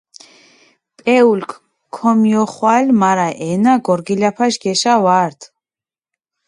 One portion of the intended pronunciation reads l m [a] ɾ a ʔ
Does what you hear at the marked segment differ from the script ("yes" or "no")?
no